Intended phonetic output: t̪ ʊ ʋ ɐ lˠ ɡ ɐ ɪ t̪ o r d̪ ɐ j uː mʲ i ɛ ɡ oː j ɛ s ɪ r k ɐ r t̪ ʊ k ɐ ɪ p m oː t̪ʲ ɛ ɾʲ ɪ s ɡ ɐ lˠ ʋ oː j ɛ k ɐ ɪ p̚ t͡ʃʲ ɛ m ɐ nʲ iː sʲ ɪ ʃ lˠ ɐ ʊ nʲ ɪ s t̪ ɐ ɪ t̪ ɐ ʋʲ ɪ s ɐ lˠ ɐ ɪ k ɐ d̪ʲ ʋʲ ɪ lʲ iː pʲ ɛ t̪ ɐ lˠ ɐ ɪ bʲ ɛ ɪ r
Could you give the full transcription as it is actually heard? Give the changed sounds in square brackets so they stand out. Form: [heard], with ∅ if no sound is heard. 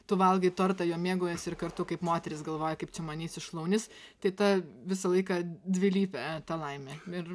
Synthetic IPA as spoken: t̪ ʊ ʋ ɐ lˠ ɡ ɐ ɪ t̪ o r [t̪] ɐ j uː mʲ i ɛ ɡ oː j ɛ s ɪ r k ɐ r t̪ ʊ k ɐ ɪ p m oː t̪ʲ ɛ ɾʲ ɪ s ɡ ɐ lˠ ʋ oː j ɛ k ɐ ɪ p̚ t͡ʃʲ ɛ m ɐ nʲ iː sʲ ɪ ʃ lˠ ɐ ʊ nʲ ɪ s t̪ ɐ ɪ t̪ ɐ ʋʲ ɪ s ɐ lˠ ɐ ɪ k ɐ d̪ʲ ʋʲ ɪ lʲ iː pʲ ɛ t̪ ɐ lˠ ɐ ɪ [mʲ] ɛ ɪ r